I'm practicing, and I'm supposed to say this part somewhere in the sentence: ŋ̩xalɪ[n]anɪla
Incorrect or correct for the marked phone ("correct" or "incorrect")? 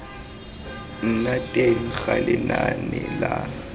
correct